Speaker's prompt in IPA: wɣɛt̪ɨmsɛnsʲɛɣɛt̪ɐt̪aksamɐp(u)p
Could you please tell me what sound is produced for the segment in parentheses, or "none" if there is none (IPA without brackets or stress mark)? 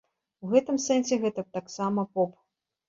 ɔ